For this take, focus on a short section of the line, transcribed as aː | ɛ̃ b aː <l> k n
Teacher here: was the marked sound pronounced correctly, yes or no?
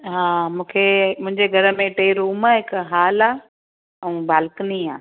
yes